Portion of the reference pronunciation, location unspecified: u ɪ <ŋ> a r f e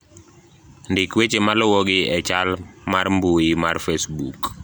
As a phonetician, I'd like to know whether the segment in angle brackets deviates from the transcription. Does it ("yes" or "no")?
yes